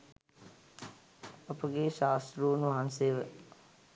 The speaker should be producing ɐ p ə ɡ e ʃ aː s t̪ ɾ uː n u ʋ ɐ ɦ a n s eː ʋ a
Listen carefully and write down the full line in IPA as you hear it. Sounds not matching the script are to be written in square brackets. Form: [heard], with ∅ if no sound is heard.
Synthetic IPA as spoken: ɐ p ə ɡ e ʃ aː s t̪ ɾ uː n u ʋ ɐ ɦ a n s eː ʋ [ə]